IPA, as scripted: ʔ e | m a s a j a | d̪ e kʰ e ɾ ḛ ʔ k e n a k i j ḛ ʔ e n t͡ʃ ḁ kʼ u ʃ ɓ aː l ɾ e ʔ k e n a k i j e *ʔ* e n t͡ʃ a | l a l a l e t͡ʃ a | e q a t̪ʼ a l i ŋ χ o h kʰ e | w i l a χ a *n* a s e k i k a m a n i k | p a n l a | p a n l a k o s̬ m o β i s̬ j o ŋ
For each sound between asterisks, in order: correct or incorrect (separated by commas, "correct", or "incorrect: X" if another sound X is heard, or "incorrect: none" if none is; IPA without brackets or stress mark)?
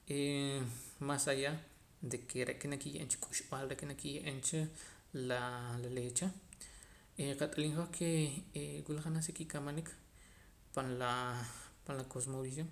correct, correct